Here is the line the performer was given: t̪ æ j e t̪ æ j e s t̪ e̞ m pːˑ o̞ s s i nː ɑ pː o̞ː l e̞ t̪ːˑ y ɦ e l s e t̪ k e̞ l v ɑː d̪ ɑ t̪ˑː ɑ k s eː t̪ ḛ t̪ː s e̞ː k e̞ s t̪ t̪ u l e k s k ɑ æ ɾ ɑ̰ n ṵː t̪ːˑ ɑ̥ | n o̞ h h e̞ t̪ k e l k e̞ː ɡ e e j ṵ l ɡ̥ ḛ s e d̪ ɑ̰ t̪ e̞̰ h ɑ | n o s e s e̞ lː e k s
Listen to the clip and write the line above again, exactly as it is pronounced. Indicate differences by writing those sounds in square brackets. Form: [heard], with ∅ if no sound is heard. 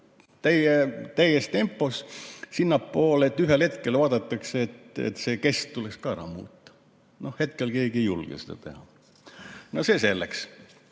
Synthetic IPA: t̪ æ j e t̪ æ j e s t̪ e̞ m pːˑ o̞ s s i nː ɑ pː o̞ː l e̞ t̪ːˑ y ɦ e l [h] e t̪ k e̞ l v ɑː d̪ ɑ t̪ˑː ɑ k s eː t̪ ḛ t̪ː s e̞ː k e̞ s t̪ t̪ u l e k s k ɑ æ ɾ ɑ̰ [m] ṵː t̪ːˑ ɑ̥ | n o̞ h h e̞ t̪ k e l k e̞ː ɡ [i] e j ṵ l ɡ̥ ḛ s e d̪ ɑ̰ t̪ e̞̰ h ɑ | n o s e s e̞ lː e k s